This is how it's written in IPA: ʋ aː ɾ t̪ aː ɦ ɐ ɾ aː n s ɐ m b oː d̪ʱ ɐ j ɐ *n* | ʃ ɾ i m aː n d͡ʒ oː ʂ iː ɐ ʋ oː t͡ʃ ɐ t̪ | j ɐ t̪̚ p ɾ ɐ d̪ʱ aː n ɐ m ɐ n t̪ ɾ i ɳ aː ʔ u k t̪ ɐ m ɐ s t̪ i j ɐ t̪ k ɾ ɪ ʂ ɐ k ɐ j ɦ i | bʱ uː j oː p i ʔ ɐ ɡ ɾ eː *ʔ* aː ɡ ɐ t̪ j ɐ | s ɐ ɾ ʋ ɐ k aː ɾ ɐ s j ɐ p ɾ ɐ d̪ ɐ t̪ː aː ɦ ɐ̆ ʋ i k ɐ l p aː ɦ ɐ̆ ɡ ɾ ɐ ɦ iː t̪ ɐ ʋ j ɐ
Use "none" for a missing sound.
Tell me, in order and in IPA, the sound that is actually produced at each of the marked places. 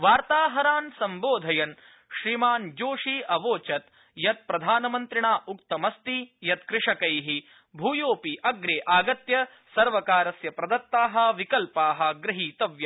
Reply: n, ʔ

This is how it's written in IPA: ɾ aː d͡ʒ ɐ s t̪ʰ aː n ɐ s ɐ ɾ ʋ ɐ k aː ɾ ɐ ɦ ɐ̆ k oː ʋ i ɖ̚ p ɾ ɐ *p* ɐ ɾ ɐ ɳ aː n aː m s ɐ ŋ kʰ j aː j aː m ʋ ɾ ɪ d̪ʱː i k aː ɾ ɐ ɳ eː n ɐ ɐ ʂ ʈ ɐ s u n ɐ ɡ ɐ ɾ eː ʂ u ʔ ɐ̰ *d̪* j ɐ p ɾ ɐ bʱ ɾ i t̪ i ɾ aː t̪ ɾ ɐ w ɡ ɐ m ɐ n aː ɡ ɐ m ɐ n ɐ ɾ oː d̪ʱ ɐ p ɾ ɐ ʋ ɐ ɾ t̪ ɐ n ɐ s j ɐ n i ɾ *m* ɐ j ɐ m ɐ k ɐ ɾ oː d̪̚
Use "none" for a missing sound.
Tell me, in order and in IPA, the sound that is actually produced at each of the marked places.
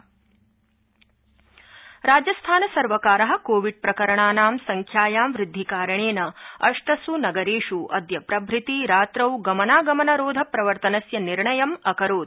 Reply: k, d̪, ɳ

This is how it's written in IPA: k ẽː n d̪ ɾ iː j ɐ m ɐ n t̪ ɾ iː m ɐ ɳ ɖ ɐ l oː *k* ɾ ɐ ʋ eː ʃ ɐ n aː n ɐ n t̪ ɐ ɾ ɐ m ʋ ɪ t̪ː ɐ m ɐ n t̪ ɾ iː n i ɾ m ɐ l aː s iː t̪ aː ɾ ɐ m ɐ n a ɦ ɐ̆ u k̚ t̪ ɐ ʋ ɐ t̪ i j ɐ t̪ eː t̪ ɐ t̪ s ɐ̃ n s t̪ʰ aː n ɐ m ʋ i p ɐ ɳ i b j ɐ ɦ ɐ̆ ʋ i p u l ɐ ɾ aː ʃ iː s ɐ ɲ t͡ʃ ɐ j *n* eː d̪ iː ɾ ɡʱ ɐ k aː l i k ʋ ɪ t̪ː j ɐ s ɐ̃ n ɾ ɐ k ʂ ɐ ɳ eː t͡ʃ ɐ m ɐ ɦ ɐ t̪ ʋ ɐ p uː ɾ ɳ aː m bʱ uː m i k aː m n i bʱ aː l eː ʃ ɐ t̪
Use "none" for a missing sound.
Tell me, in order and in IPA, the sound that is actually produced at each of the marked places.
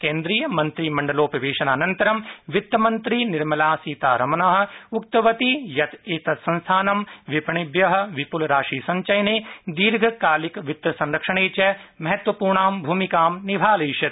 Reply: p, n

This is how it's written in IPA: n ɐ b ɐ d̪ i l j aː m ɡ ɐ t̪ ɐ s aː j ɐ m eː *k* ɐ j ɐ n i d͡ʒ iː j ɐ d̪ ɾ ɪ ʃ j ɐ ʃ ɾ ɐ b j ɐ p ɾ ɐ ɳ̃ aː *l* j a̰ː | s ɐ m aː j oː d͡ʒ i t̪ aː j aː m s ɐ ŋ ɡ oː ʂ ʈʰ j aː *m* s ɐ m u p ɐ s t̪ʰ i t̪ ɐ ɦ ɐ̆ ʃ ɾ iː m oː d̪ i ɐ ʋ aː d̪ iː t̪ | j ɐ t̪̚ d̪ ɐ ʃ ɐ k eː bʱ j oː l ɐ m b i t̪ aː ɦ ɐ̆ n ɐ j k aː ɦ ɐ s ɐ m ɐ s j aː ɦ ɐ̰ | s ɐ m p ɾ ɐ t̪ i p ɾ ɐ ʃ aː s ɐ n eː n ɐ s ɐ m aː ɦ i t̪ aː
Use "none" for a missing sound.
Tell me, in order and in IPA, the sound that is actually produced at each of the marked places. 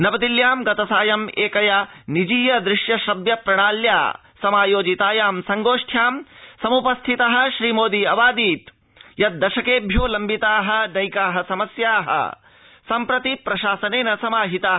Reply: k, l, m

